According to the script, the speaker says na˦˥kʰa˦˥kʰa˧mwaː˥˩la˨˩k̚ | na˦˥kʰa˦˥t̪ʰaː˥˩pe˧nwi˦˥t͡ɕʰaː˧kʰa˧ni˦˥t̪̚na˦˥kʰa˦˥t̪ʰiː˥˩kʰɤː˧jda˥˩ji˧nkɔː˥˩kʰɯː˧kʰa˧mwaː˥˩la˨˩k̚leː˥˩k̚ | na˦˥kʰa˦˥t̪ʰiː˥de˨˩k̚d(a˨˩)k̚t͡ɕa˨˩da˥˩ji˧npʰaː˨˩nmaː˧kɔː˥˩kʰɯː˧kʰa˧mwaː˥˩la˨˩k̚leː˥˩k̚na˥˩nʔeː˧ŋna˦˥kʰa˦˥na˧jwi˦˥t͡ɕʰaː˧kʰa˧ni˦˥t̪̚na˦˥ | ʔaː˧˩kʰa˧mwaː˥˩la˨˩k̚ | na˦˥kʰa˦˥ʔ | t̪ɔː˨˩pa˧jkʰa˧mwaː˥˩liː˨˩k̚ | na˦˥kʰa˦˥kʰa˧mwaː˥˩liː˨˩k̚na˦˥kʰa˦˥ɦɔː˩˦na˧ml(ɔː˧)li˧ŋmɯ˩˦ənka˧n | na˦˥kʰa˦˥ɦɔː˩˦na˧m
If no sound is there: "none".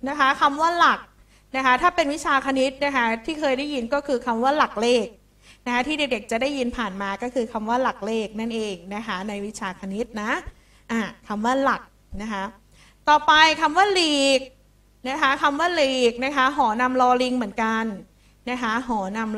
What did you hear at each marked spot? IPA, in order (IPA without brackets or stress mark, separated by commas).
e˨˩, ɔː˧